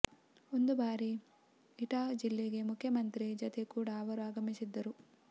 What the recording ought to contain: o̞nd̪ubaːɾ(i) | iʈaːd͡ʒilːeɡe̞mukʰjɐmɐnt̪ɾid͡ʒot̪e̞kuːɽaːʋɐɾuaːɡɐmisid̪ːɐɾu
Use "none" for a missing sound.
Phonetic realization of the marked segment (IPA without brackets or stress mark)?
i